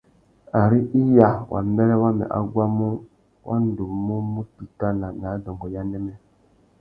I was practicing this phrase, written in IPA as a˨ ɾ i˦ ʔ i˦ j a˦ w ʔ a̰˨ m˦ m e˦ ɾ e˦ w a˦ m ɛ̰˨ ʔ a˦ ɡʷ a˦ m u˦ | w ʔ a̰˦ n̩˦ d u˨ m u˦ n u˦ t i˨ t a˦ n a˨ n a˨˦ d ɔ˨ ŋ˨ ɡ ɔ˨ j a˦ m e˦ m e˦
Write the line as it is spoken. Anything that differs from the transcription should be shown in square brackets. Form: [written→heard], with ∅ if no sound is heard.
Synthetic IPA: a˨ ɾ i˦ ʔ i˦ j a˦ w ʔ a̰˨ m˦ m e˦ ɾ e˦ w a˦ m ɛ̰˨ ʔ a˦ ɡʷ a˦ m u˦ | w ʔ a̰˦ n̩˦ d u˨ m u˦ [n→m] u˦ t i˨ t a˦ n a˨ n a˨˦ d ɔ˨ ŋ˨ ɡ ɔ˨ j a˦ [m→n] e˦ m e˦